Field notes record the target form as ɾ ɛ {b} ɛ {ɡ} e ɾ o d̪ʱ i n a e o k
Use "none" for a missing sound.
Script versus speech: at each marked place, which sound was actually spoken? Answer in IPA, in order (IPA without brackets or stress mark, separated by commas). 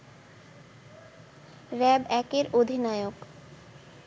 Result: b, k